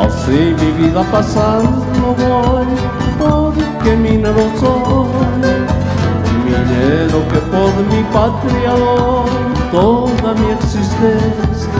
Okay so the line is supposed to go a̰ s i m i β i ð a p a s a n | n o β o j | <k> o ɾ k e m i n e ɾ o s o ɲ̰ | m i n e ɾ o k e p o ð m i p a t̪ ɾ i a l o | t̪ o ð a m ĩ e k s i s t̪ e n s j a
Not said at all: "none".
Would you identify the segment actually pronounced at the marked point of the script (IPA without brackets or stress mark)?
p